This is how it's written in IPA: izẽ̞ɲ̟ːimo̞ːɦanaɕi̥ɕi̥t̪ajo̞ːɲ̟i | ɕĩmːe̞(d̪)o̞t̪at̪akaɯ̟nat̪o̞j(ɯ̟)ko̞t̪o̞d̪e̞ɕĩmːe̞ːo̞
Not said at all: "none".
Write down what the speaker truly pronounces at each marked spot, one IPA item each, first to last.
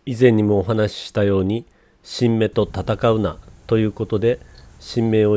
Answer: t̪, ɯ̟ː

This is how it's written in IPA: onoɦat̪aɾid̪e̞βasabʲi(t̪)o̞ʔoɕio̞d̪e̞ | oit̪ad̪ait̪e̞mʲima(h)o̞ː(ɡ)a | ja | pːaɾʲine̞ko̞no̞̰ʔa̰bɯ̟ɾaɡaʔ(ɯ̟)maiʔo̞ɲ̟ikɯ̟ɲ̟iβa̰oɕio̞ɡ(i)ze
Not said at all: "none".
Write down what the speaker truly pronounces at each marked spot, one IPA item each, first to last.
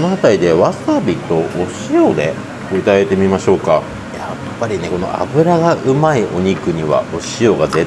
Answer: t̪, ɕ, k, ɯ̟, a

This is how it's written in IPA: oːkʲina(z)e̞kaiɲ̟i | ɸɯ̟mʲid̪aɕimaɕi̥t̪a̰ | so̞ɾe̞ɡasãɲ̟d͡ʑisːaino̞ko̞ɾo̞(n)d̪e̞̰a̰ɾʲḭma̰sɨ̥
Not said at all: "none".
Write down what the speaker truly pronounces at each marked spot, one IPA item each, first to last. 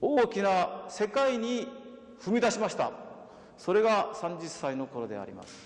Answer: s, none

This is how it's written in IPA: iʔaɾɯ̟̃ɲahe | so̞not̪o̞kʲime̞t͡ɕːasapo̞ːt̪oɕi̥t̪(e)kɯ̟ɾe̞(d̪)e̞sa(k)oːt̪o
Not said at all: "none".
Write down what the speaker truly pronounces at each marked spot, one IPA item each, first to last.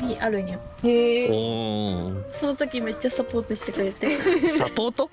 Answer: e, t̪, p

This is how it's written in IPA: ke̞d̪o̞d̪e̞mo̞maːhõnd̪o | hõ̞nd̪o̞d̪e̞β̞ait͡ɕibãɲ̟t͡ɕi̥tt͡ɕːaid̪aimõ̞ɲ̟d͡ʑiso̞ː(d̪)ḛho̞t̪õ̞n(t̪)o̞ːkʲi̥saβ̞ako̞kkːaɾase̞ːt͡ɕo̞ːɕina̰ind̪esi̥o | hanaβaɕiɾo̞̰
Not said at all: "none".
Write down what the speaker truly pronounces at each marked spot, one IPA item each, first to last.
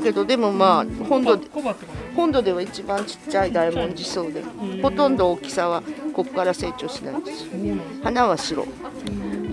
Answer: d̪, d̪

